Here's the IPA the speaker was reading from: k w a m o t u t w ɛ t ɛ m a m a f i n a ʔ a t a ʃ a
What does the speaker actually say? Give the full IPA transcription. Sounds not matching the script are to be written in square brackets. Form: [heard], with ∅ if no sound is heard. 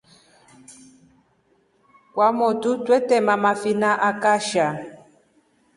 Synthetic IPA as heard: k w a m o t u t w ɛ t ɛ m a m a f i n a ʔ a [k] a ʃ a